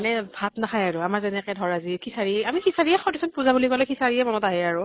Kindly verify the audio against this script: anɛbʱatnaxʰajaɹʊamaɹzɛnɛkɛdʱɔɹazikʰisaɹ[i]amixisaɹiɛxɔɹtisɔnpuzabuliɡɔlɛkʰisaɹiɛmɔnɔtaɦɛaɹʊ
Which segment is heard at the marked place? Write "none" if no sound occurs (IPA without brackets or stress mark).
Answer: i